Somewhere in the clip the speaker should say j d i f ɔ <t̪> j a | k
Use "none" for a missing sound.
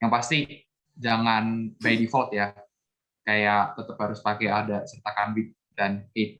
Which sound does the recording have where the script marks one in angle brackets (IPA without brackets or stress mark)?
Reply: t̪